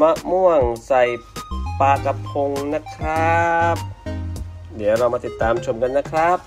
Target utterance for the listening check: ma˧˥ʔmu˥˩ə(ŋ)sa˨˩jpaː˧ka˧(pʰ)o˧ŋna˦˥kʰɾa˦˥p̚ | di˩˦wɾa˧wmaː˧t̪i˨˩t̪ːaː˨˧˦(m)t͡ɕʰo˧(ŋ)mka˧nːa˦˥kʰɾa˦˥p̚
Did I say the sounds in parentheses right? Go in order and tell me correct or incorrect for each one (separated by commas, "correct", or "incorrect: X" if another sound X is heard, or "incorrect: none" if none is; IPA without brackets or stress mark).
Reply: correct, correct, correct, incorrect: none